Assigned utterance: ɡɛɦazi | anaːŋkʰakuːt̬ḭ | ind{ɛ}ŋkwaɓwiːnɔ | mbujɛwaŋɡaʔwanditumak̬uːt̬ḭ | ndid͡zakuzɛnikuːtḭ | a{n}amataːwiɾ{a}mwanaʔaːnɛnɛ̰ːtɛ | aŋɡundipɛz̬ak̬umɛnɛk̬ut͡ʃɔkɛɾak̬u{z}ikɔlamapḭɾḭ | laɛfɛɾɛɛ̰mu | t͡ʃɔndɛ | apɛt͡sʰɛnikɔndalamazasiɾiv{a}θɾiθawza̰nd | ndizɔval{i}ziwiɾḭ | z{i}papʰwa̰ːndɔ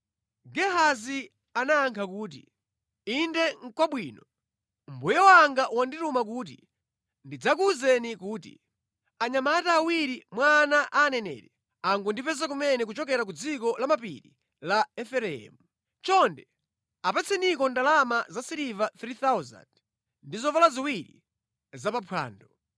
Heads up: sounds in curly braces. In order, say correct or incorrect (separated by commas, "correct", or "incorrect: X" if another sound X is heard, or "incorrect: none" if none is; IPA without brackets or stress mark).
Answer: correct, incorrect: ɲ, incorrect: i, incorrect: d͡z, correct, incorrect: a, incorrect: a